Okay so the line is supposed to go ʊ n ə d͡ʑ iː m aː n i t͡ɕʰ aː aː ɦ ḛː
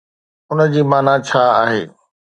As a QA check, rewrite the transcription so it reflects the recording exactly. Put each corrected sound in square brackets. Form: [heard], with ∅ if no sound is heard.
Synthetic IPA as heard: ʊ n ə d͡ʑ iː m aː n [a] t͡ɕʰ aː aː ɦ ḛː